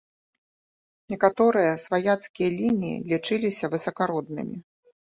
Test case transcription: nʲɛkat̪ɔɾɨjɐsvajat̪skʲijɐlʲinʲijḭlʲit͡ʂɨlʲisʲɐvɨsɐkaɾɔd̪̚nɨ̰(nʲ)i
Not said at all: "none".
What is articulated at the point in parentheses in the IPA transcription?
mʲ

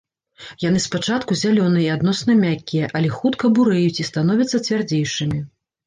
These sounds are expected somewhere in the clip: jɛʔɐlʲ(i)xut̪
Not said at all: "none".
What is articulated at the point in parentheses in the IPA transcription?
ɛ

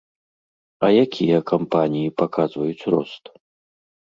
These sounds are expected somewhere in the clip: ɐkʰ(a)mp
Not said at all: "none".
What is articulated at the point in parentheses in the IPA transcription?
a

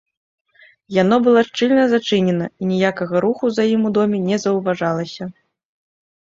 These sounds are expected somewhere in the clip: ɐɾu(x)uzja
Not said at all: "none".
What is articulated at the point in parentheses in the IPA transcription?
x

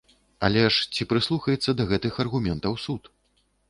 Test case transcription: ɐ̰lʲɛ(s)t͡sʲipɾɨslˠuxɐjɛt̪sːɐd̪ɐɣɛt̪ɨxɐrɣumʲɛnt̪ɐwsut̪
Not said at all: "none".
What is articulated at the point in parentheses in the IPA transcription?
ʂ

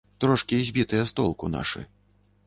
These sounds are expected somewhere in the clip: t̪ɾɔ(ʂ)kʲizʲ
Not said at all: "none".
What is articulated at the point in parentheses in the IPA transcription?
ʂ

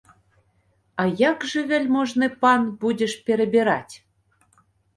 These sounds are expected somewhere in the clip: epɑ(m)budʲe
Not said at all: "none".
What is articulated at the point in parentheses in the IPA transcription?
n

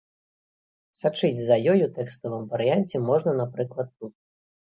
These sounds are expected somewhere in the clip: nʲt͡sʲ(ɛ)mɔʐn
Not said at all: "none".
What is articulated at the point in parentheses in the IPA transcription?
ɛ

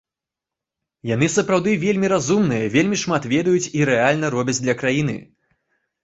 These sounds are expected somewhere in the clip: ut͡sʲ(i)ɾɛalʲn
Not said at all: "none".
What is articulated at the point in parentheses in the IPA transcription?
i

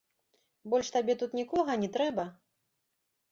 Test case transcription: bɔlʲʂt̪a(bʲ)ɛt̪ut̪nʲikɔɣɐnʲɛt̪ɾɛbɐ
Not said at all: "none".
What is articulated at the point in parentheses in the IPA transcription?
bʲ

